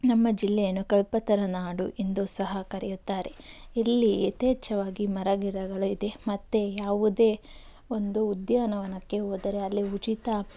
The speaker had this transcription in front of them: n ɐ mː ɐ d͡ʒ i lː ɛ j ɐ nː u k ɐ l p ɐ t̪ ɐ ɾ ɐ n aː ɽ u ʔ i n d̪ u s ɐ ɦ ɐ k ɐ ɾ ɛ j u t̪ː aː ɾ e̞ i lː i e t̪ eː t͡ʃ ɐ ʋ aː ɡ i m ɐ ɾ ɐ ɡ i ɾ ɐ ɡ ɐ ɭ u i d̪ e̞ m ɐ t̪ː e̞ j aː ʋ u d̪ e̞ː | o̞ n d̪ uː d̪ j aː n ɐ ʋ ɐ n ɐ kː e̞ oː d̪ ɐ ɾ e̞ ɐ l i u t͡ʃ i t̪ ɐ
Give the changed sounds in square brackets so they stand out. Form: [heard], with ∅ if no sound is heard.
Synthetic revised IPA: n ɐ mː ɐ d͡ʒ i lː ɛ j ɐ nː u k ɐ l p ɐ t̪ ɐ ɾ ɐ n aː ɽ u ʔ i n d̪ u s ɐ ɦ ɐ k ɐ ɾ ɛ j u t̪ː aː ɾ e̞ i lː i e t̪ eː t͡ʃ ɐ ʋ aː ɡ i m ɐ ɾ ɐ ɡ i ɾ ɐ ɡ ɐ ɭ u i d̪ e̞ m ɐ t̪ː e̞ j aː ʋ u d̪ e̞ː | o̞ n d̪ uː d̪ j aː n ɐ ʋ ɐ n ɐ kː e̞ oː d̪ ɐ ɾ e̞ ɐ [lː] i u t͡ʃ i t̪ ɐ